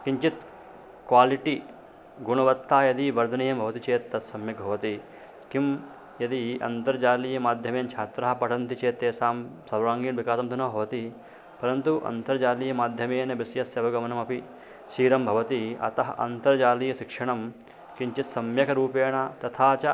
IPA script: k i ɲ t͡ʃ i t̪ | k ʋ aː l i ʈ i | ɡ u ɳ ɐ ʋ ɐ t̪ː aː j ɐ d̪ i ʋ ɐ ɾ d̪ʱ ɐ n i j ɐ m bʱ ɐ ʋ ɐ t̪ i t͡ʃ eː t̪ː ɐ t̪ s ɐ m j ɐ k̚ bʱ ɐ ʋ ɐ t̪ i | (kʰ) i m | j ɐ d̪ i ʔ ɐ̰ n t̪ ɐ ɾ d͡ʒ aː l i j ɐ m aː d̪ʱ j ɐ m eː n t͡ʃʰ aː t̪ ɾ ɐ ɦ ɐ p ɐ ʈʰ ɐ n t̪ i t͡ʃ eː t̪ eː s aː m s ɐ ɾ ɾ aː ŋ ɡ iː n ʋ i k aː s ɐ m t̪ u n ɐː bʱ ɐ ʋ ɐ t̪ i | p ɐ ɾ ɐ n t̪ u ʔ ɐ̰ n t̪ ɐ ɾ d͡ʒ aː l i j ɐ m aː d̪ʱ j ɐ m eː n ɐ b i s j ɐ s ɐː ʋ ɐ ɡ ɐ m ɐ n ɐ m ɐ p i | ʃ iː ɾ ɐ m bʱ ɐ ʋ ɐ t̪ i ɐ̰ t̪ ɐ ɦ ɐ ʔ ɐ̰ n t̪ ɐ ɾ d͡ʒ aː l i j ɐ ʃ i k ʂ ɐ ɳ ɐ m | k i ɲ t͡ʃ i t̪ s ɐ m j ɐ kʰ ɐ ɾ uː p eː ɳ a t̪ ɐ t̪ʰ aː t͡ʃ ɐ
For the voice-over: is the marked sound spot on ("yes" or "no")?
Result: no